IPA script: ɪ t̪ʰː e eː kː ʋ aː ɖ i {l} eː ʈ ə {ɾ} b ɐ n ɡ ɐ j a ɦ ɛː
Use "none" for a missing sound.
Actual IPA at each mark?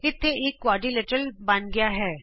l, l

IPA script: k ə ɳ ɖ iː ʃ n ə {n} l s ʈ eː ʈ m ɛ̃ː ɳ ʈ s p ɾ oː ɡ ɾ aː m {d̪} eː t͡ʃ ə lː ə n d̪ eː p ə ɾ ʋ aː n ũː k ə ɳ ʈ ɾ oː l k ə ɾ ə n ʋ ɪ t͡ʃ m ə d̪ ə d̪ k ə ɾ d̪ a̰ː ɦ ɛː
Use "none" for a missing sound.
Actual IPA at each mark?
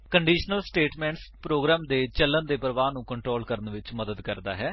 none, d̪

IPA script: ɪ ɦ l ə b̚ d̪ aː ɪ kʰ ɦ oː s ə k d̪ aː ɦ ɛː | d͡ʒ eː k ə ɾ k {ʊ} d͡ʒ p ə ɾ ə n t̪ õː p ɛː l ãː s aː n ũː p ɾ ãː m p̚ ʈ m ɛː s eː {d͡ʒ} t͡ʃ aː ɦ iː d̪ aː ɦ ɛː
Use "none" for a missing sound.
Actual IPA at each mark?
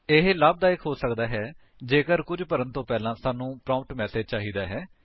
ʊ, d͡ʒ

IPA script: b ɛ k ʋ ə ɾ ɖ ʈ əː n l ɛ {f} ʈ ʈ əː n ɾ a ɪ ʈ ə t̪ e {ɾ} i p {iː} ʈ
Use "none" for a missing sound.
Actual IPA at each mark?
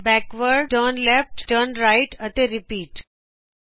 f, ɾ, iː

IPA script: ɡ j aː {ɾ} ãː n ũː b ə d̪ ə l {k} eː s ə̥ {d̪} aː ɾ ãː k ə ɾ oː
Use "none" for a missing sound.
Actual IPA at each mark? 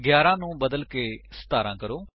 ɾ, k, t̪

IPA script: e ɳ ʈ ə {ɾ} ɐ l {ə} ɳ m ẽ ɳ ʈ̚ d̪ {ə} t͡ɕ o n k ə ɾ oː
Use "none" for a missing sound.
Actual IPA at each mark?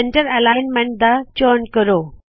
ɾ, a, a

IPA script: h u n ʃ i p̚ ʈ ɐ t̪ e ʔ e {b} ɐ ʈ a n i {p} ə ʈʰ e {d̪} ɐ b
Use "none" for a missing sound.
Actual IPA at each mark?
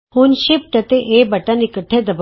b, k, d̪

